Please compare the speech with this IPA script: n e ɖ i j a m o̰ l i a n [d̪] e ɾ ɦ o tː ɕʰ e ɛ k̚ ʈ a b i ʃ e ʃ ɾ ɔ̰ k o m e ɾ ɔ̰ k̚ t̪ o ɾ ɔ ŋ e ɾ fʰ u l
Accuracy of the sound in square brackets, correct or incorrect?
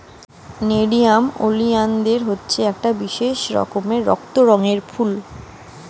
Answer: correct